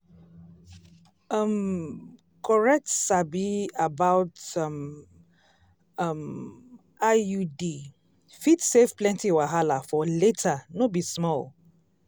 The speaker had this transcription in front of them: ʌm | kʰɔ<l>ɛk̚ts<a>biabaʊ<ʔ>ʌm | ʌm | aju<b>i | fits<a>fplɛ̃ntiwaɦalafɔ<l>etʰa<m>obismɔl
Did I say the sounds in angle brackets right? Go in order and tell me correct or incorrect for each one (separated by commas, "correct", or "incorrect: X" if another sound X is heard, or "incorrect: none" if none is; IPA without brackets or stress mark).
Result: incorrect: ɹ, correct, incorrect: t, incorrect: d, incorrect: e, correct, incorrect: n